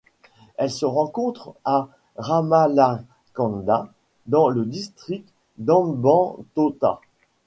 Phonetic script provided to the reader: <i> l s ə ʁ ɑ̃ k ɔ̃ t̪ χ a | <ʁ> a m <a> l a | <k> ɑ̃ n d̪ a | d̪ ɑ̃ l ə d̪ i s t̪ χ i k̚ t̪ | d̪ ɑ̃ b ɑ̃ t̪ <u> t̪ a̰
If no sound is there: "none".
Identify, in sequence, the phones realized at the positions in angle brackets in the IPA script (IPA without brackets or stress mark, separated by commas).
ɛ, ʁ, a, k, o